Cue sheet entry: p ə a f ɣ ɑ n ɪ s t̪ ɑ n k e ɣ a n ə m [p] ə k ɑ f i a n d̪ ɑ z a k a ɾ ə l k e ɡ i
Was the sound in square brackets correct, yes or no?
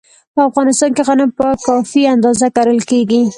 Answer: yes